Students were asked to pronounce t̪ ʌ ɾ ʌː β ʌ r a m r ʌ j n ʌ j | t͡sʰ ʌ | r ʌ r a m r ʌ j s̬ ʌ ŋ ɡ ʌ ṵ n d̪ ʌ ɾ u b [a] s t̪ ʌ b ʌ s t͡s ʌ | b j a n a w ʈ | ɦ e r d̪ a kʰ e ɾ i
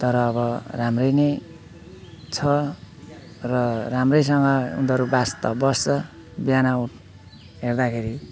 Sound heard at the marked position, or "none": a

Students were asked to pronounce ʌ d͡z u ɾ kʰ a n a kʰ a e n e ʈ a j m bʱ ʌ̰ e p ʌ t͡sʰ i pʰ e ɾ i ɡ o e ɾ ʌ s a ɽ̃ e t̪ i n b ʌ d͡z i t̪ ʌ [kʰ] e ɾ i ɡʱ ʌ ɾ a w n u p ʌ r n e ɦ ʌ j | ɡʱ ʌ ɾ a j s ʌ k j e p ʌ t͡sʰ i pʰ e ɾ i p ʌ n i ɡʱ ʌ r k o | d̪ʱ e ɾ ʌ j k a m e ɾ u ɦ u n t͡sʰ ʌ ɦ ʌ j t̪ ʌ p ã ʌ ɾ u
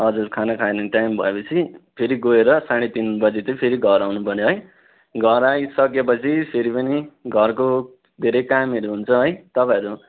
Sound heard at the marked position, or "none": pʰ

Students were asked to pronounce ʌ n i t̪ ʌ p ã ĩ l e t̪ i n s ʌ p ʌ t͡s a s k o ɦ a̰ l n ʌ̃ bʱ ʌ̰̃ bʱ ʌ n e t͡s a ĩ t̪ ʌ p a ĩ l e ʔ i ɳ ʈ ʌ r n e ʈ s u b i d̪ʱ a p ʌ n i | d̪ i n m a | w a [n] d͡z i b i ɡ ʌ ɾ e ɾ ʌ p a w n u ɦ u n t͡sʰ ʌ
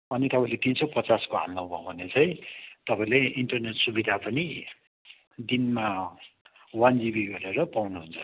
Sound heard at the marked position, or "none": n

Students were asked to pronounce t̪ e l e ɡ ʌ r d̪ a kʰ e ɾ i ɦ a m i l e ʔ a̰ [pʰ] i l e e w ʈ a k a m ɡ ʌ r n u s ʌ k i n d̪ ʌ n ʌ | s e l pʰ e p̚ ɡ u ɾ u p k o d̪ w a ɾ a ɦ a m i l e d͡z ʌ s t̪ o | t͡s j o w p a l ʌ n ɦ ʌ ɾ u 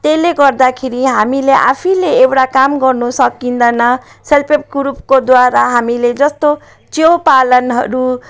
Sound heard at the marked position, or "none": pʰ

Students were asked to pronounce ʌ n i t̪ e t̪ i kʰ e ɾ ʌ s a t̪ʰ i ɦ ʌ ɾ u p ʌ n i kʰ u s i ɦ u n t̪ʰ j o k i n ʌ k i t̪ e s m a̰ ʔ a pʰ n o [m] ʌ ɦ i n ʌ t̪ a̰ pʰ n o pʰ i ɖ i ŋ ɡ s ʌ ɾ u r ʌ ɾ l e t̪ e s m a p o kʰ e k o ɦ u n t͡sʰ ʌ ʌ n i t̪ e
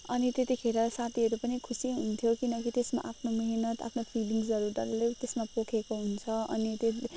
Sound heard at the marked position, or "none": m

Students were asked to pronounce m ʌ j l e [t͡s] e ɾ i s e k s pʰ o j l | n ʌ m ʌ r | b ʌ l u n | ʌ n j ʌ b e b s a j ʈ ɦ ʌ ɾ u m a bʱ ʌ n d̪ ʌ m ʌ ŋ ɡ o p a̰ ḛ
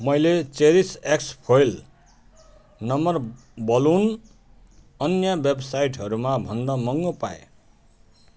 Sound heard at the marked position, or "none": t͡s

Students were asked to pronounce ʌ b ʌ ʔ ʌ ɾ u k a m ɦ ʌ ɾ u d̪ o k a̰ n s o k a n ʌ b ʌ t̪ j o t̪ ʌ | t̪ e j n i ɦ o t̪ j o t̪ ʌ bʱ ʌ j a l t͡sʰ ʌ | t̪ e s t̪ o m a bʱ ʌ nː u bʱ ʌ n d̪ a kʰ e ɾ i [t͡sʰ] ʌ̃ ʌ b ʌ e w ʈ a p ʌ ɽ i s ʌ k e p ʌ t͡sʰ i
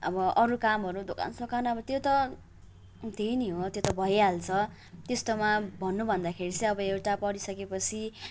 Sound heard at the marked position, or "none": t͡s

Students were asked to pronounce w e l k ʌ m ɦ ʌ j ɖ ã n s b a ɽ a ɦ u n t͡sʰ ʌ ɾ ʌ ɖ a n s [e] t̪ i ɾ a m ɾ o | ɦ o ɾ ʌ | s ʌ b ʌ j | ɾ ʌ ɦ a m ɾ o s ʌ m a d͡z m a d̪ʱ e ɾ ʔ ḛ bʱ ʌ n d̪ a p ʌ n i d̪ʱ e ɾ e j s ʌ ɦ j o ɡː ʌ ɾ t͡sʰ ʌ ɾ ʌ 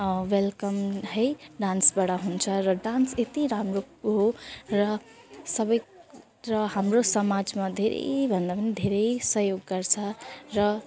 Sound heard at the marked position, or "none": e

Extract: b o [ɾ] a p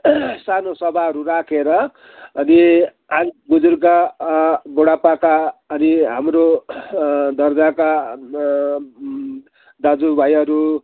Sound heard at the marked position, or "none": ɽ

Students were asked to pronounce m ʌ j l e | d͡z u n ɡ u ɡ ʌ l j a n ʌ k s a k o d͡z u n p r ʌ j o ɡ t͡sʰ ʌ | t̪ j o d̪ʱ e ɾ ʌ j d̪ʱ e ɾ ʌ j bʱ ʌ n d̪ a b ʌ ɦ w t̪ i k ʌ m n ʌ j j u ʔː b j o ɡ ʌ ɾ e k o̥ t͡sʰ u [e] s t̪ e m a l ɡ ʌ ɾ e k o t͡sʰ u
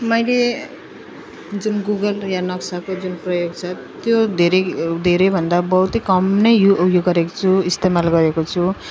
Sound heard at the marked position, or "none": i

